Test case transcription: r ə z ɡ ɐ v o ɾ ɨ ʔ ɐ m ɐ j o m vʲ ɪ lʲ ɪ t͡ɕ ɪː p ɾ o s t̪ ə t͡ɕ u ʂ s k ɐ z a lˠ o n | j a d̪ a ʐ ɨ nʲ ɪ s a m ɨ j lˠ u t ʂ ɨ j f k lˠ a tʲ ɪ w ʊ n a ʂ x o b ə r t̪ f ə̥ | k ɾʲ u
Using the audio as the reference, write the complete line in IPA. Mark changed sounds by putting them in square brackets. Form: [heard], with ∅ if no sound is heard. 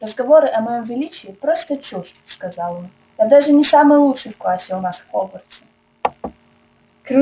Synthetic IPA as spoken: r ə z ɡ ɐ v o ɾ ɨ ʔ ɐ m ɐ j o m vʲ ɪ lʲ [i] t͡ɕ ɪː p ɾ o s t̪ ə t͡ɕ u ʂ s k ɐ z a lˠ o n | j a d̪ a ʐ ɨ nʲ ɪ s a m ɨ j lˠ u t ʂ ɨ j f k lˠ a [sʲ] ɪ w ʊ n a ʂ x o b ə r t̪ [s] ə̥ | k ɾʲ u